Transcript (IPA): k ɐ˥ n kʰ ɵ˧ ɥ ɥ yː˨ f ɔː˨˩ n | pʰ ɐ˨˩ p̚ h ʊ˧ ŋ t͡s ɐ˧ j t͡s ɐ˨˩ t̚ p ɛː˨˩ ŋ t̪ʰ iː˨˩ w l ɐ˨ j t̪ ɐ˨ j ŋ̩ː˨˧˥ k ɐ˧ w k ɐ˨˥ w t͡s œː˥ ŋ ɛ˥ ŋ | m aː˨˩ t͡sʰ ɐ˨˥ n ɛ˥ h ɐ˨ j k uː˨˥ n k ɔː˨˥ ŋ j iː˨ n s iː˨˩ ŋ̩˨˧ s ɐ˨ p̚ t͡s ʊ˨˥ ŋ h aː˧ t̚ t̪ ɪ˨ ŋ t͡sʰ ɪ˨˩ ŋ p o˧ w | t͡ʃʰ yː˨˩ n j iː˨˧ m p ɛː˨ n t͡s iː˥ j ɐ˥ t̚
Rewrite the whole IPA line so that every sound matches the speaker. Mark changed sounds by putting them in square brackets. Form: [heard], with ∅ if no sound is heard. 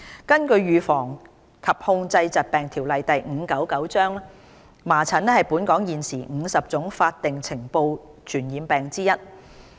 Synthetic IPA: k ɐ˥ n [k] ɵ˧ ɥ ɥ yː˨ f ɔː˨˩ [ŋ] | [kʰ] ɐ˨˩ p̚ h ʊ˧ ŋ t͡s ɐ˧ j t͡s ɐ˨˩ t̚ p ɛː˨˩ ŋ t̪ʰ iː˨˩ w l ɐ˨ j t̪ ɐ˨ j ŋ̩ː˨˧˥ k [ɐ˨˥] w k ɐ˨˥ w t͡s œː˥ ŋ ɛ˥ [∅] | m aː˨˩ t͡sʰ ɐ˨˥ n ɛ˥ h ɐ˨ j [p] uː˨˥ n k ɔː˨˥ ŋ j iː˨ n s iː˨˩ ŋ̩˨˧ s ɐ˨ p̚ t͡s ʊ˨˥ ŋ [f] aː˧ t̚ t̪ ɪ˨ ŋ t͡sʰ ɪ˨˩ ŋ p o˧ w | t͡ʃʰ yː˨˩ n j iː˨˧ m p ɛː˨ [ŋ] t͡s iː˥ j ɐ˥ t̚